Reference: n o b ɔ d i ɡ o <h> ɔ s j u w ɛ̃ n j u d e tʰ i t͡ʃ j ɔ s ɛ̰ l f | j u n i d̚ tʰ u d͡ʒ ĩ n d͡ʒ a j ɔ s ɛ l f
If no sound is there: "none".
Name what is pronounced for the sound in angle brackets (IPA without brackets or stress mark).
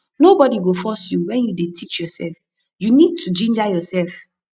f